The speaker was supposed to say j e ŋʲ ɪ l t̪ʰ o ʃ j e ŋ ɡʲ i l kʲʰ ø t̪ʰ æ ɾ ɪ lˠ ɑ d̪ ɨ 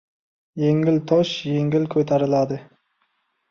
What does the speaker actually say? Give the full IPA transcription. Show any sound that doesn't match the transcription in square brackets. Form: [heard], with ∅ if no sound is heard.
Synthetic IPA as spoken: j e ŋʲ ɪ l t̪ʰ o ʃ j e ŋ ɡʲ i l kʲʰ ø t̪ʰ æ ɾ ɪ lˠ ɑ d̪ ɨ